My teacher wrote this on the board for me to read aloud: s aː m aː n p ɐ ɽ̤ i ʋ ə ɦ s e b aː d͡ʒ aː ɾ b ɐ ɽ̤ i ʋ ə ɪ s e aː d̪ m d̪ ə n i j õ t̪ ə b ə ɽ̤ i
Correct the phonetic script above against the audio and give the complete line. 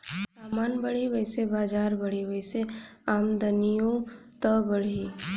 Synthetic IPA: s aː m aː n b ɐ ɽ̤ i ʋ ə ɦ s e b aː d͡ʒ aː ɾ b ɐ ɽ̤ i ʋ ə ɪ s e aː m d̪ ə n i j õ t̪ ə b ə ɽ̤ i